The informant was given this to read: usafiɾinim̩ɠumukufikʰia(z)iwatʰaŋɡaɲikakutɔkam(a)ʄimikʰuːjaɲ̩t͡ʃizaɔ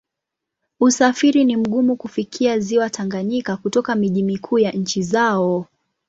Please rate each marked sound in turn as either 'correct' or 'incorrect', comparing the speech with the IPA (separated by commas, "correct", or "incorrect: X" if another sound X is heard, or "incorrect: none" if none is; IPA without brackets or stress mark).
correct, incorrect: i